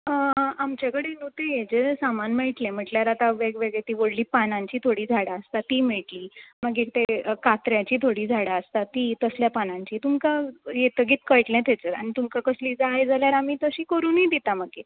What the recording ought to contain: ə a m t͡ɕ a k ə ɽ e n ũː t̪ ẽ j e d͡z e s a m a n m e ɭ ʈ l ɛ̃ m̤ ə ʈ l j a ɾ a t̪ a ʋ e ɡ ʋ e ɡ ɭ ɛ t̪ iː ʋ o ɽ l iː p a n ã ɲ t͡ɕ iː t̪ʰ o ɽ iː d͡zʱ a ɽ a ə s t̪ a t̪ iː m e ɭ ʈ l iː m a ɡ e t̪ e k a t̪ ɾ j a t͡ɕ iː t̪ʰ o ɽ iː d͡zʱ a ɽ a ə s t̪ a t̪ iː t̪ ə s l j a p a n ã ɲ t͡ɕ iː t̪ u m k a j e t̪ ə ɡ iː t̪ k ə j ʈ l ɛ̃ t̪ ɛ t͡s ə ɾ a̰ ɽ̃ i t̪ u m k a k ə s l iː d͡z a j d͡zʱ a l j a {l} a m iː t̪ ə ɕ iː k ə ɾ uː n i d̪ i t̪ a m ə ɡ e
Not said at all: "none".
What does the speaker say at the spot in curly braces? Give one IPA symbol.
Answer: ɾ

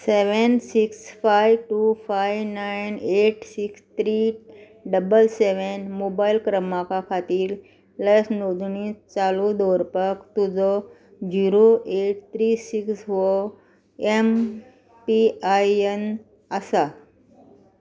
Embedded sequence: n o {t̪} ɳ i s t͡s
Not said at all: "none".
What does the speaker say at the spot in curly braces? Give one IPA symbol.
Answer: d̪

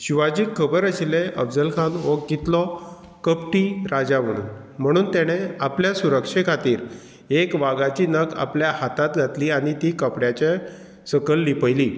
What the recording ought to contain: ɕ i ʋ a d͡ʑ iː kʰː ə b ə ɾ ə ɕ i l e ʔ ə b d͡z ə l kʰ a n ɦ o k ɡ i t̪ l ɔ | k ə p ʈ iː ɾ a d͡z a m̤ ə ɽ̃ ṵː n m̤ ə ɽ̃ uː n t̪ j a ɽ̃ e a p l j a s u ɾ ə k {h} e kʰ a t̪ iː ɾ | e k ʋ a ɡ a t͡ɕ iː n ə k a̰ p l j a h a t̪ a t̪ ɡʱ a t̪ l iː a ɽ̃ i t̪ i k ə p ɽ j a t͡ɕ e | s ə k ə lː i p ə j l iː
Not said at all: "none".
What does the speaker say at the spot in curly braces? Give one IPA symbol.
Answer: ʂ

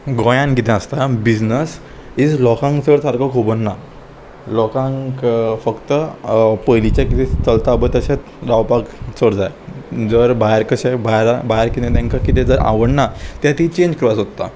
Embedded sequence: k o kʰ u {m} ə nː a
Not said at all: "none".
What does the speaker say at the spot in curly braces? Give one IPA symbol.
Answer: b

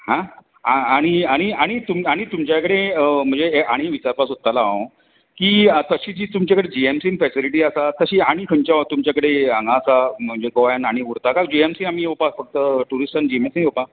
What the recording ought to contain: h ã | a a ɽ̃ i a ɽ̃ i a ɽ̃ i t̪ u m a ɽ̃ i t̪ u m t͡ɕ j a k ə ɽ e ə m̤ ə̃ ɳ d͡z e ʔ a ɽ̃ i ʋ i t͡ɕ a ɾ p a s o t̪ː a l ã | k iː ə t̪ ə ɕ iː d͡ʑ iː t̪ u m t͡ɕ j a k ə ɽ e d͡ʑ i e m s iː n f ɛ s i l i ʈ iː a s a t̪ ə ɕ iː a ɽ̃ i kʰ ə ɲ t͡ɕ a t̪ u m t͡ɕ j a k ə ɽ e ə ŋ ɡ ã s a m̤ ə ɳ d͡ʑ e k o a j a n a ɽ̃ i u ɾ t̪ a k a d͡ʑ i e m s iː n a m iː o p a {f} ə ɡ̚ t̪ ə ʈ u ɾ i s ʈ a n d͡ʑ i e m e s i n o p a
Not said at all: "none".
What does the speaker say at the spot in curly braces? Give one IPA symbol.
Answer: f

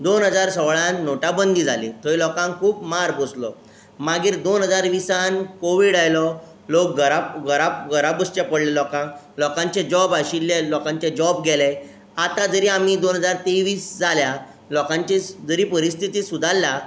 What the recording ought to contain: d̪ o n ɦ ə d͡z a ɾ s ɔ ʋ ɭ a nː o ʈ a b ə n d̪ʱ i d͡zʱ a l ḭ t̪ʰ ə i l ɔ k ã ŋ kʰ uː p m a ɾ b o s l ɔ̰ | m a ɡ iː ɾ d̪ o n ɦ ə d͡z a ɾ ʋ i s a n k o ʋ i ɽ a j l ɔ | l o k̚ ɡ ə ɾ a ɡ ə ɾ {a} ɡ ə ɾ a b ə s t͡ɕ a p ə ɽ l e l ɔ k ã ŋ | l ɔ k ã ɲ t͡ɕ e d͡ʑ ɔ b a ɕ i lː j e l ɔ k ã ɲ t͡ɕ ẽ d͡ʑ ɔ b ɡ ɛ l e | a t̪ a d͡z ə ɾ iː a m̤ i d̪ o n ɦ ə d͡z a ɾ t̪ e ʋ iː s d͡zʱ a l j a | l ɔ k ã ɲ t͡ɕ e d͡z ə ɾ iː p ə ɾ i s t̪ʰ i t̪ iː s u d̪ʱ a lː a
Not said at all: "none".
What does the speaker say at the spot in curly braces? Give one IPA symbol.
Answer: a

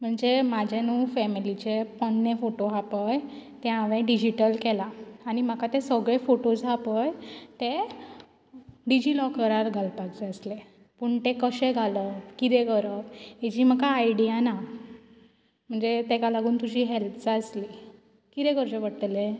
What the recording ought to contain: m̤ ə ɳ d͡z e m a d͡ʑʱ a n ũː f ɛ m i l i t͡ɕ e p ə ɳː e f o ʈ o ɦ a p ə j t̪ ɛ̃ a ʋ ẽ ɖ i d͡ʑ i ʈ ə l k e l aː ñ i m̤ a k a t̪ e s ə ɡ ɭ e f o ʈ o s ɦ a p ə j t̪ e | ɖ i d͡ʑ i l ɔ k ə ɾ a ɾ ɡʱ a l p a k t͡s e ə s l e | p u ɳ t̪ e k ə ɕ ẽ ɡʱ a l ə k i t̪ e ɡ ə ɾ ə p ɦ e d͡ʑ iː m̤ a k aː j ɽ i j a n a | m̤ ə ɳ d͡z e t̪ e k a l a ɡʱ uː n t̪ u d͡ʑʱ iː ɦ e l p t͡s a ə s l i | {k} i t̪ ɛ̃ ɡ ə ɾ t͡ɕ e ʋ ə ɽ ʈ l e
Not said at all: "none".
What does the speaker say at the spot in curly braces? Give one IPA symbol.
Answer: k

